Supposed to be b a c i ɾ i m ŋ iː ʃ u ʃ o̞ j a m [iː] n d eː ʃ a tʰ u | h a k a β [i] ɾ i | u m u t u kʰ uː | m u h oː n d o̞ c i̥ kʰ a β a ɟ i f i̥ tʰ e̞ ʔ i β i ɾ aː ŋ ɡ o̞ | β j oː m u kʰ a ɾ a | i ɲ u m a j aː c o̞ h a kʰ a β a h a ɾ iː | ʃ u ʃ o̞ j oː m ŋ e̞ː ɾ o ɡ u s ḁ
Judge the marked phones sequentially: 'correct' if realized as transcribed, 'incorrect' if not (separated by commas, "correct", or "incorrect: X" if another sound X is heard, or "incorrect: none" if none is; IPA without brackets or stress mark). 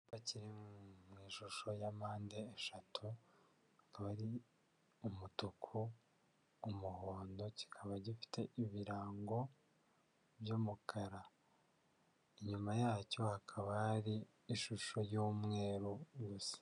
incorrect: aː, incorrect: a